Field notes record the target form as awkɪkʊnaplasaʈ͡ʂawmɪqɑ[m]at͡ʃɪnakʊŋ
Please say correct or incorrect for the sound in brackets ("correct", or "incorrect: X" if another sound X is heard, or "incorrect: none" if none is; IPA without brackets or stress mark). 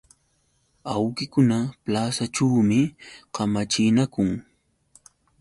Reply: correct